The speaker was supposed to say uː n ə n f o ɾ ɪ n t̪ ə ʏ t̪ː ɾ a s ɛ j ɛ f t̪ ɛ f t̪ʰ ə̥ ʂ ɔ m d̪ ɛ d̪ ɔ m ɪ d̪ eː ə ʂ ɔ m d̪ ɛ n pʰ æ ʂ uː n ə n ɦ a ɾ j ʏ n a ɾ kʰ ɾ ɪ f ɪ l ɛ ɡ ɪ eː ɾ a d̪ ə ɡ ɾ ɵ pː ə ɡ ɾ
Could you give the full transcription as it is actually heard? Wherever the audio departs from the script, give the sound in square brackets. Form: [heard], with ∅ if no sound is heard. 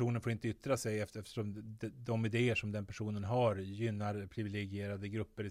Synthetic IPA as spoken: uː n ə n f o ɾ ɪ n t̪ ə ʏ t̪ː ɾ a s ɛ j ɛ f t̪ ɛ f [t̪] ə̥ ʂ ɔ m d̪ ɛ d̪ ɔ m ɪ d̪ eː ə ʂ ɔ m d̪ ɛ n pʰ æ ʂ uː n ə n ɦ a ɾ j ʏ [nː] a ɾ [pʰ] ɾ ɪ [v] ɪ l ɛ ɡ ɪ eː ɾ a d̪ ə ɡ ɾ ɵ pː ə [∅] ɾ